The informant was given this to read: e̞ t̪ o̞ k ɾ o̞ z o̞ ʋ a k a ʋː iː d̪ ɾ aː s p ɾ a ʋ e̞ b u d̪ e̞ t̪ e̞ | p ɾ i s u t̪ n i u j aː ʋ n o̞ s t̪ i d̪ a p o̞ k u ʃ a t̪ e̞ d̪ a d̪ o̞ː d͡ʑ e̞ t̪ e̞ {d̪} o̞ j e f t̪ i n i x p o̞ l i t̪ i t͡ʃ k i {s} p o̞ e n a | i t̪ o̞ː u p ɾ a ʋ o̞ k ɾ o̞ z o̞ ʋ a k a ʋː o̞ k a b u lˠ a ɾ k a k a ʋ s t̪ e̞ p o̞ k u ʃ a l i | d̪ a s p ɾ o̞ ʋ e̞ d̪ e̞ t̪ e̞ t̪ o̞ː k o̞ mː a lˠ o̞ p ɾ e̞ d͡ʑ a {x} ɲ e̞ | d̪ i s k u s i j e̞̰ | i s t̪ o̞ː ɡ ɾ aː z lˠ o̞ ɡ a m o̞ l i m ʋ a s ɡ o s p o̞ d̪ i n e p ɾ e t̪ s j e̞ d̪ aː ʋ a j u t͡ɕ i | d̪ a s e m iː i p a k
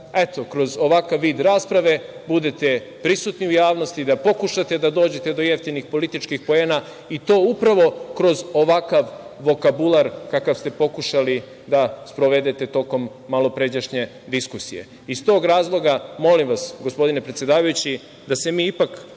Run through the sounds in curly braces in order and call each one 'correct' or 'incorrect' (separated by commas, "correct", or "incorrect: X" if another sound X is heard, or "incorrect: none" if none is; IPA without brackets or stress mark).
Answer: correct, incorrect: x, incorrect: ʃ